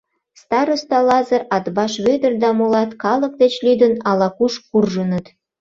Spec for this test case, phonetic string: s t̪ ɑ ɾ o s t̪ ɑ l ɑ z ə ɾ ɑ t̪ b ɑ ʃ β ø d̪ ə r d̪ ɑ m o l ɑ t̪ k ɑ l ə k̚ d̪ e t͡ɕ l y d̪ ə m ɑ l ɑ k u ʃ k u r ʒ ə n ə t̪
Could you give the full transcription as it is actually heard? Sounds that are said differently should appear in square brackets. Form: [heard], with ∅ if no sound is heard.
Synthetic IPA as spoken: s t̪ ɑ ɾ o s t̪ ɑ l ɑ z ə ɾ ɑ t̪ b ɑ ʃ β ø d̪ ə r d̪ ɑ m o l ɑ t̪ k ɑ l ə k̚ d̪ e t͡ɕ l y d̪ ə [n] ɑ l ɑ k u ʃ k u r ʒ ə n ə t̪